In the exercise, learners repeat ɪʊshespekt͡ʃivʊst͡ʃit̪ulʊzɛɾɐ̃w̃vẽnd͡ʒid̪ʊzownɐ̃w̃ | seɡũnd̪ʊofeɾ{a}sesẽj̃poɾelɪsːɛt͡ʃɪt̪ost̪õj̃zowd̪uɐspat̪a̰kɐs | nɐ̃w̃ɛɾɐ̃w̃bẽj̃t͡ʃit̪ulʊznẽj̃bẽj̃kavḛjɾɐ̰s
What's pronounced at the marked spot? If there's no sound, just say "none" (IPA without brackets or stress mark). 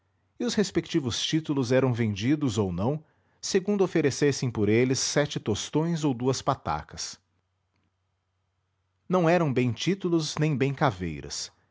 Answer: e